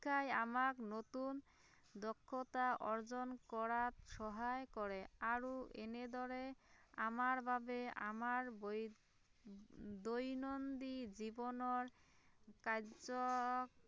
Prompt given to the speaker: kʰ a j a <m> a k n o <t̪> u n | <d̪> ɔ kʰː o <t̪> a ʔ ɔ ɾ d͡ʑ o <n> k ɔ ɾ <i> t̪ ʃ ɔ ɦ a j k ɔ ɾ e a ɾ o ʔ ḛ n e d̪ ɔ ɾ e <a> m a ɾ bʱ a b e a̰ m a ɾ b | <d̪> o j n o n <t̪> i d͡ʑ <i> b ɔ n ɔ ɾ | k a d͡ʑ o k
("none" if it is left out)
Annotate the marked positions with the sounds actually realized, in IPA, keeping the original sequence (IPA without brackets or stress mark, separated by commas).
m, t̪, d̪, t̪, n, a, a, d̪, d̪, i